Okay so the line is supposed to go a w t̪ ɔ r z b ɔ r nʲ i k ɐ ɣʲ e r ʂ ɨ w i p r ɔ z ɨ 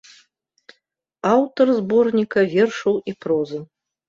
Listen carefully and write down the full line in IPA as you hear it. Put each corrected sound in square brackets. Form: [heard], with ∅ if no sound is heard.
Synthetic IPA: a w t̪ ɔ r z b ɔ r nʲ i k ɐ [vʲ] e r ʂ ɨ w i p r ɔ z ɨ